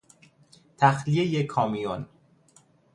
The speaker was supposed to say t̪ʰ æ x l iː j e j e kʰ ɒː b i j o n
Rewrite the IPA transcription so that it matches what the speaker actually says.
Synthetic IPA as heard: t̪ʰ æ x l i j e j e kʰ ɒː m i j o n